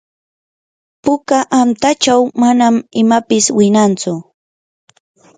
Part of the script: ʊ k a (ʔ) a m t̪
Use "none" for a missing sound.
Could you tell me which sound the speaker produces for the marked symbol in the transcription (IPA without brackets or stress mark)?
ʔ